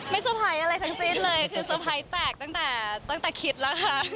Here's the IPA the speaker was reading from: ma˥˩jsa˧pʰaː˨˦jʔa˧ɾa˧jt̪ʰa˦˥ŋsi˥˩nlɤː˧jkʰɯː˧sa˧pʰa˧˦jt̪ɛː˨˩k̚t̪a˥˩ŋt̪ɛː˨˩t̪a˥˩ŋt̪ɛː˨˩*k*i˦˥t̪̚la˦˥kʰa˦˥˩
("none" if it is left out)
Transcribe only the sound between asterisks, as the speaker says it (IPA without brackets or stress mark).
kʰ